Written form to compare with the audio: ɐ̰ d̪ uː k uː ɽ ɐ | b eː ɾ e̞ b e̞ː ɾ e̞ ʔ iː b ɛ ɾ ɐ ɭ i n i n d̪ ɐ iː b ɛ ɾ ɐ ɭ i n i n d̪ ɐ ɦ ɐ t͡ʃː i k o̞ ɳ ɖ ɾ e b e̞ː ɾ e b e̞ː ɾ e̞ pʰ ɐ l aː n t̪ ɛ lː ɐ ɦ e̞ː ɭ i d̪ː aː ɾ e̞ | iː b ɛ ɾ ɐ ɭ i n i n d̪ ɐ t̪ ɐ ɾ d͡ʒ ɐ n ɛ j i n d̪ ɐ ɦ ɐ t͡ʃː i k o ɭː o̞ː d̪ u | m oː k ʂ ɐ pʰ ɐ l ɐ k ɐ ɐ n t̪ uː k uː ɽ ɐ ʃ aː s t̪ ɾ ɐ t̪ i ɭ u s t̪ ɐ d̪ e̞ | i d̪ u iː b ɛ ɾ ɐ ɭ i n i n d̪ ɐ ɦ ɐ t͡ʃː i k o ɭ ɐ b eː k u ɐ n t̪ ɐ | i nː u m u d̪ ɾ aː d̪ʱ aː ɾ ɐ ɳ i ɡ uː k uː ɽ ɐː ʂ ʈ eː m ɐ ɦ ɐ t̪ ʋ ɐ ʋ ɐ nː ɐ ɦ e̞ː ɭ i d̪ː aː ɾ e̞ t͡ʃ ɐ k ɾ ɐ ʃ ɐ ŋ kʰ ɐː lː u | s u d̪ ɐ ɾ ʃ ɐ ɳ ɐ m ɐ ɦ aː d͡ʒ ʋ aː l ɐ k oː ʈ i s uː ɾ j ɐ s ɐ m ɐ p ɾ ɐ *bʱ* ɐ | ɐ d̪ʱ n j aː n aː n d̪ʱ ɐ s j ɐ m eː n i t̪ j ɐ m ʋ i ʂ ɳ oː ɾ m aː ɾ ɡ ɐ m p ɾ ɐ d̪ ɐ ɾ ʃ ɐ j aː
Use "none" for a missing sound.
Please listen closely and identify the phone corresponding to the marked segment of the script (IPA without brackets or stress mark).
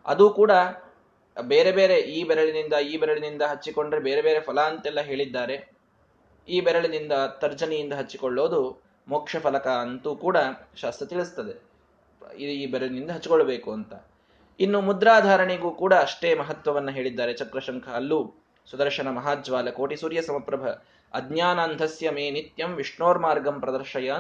bʱ